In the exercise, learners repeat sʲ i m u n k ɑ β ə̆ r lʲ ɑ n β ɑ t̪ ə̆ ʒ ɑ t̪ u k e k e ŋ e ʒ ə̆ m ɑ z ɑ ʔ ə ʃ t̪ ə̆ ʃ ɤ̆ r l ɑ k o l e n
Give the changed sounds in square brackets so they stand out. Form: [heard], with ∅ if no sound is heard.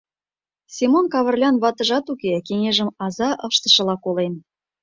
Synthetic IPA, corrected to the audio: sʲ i m [o] n k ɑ β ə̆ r lʲ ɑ n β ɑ t̪ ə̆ ʒ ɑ t̪ u k e k e ŋ e ʒ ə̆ m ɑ z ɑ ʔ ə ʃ t̪ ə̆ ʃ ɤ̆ [∅] l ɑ k o l e n

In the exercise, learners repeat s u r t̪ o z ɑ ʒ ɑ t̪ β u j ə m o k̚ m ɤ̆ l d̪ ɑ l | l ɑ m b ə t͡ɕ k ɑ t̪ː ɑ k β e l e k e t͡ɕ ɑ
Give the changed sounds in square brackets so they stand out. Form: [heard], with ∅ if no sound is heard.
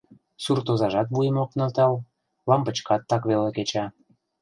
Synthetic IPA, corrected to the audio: s u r t̪ o z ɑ ʒ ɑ t̪ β u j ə m o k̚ [n] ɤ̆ l [t̪] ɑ l | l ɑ m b ə t͡ɕ k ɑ t̪ː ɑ k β e l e k e t͡ɕ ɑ

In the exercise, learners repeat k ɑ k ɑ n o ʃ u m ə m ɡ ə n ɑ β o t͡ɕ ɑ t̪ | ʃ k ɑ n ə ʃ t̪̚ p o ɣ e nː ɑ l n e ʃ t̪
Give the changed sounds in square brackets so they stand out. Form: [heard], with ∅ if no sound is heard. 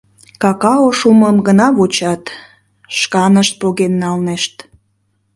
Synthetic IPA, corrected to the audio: k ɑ k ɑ [∅] o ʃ u m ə m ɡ ə n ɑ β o t͡ɕ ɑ t̪ | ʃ k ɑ n ə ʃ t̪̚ p o ɣ e nː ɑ l n e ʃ t̪

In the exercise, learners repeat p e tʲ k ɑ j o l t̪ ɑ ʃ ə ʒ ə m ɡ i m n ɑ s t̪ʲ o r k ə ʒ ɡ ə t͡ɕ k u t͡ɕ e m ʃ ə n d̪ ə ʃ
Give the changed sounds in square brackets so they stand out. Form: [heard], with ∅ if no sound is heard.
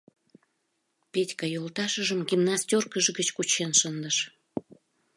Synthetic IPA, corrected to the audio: p e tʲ k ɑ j o l t̪ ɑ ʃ ə ʒ ə m ɡ i m n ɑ s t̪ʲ o r k ə ʒ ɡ ə t͡ɕ k u t͡ɕ e [n] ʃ ə n d̪ ə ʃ

